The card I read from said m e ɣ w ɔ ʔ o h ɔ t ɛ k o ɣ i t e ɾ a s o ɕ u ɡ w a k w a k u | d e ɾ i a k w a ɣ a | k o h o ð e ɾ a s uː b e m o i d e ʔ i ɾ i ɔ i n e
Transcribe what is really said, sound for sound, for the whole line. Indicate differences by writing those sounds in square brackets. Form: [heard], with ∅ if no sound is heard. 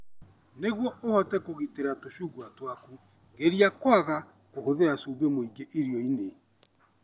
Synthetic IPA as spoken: [n] e ɣ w ɔ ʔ o h ɔ t ɛ k o ɣ i t e ɾ a [t] o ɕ u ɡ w a [t] w a k u | [ɡ] e ɾ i a k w a ɣ a | k o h o ð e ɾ a s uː b e m o i [ɡ] e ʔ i ɾ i ɔ i n e